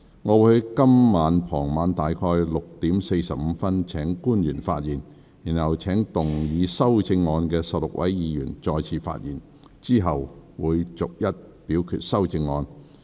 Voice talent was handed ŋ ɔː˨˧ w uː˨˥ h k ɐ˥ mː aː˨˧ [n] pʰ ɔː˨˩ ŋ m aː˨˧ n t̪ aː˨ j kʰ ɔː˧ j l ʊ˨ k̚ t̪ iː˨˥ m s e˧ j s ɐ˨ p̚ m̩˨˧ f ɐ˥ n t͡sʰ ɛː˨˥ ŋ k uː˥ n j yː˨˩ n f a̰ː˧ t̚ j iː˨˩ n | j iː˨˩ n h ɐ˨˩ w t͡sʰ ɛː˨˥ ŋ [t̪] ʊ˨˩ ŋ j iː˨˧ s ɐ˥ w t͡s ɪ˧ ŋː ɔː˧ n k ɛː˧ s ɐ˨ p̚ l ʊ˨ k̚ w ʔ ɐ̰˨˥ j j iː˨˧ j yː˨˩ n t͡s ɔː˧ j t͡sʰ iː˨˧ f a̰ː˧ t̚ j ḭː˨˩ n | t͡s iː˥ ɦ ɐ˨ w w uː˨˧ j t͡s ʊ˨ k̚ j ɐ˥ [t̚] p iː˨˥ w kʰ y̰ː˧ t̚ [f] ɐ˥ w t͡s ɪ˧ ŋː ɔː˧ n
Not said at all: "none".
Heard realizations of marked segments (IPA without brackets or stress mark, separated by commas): n, t̪, t̚, s